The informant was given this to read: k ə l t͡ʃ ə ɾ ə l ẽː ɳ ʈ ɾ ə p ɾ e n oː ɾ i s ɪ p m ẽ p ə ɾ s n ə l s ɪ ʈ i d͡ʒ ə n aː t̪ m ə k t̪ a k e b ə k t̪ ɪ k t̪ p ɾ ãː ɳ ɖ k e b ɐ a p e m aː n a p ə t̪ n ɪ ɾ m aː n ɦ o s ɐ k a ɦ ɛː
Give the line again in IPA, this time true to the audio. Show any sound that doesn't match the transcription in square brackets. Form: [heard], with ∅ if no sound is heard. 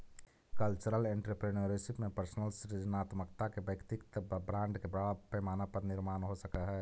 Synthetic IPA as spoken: k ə l t͡ʃ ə ɾ ə l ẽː ɳ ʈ ɾ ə p ɾ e n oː ɾ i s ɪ p m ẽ p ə ɾ s n ə l s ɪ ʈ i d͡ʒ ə n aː t̪ m ə k t̪ a k e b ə k t̪ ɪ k t̪ [b] ɾ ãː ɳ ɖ k e b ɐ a p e m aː n a p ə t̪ n ɪ ɾ m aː n ɦ o s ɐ k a ɦ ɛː